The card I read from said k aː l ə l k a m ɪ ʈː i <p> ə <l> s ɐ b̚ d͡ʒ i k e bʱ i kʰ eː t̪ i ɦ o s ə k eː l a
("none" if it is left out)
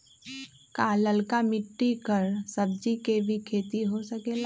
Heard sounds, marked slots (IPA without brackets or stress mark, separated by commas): k, ɾ